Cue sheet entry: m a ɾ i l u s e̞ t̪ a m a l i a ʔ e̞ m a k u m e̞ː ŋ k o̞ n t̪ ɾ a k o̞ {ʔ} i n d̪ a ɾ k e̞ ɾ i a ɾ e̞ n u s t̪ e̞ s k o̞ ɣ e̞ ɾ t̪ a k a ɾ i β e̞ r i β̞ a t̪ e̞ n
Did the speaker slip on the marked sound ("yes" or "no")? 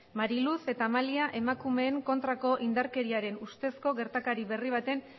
no